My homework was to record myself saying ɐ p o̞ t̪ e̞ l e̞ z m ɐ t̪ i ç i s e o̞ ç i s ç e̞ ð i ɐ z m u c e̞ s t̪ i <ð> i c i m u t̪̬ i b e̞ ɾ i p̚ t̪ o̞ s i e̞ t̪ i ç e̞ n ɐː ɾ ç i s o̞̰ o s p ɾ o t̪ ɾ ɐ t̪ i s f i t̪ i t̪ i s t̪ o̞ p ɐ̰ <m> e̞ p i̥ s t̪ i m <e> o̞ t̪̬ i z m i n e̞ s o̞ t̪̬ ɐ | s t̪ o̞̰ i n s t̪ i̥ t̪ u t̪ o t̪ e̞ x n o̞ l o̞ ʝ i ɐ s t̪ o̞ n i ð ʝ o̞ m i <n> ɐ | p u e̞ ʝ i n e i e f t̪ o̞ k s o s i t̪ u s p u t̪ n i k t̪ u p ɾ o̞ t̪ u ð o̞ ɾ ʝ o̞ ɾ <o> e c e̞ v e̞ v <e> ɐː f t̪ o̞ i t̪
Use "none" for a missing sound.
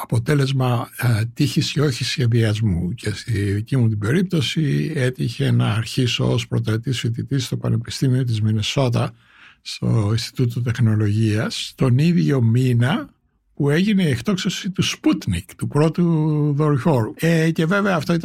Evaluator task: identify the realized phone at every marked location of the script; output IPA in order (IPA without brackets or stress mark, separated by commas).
ð, n, i, n, u, e